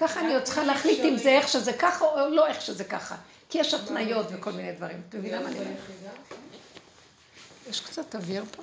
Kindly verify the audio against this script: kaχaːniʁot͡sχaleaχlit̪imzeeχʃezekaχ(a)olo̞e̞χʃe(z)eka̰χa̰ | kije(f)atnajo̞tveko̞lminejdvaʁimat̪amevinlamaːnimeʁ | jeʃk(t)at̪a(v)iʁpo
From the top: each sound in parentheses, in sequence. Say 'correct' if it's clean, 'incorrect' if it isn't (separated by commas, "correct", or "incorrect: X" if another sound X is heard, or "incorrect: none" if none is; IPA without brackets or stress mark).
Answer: correct, correct, incorrect: ʃ, incorrect: t͡s, correct